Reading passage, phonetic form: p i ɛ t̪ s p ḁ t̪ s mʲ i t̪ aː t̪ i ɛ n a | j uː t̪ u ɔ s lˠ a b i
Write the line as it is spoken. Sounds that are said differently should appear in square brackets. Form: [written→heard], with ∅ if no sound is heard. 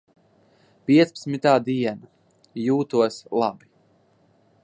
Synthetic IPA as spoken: p i ɛ t̪ s p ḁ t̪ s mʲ i t̪ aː [t̪→d̪] i ɛ n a | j uː t̪ u ɔ s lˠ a b i